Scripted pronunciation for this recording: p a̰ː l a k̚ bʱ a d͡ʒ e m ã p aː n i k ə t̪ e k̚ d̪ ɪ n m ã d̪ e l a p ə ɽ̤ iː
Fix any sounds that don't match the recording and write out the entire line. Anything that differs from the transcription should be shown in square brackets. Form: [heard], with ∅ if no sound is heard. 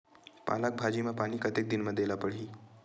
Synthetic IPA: p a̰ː l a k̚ bʱ a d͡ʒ [i] m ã p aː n i k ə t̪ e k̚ d̪ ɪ n m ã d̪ e l a p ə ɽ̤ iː